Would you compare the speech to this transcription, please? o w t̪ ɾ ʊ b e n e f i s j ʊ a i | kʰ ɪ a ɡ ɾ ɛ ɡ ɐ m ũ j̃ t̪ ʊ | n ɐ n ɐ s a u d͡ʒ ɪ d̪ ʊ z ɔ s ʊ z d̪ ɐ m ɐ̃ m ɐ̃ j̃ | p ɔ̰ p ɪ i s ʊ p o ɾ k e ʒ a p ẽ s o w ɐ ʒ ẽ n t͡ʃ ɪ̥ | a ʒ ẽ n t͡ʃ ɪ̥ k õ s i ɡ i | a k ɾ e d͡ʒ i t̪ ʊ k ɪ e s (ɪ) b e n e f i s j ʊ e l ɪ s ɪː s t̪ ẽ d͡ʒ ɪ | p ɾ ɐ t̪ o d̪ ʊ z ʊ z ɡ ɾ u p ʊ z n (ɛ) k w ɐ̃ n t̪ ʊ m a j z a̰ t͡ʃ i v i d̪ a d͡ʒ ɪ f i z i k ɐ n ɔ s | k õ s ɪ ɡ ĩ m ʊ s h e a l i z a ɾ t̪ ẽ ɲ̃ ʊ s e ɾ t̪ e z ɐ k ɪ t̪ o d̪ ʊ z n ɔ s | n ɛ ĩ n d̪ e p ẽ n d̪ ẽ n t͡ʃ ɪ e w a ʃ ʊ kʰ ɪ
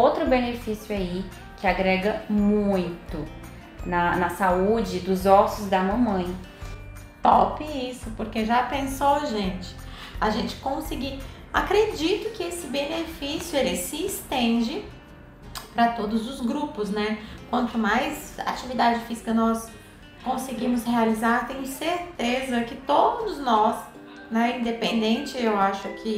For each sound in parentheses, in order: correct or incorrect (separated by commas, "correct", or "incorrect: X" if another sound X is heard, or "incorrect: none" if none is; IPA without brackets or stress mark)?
correct, correct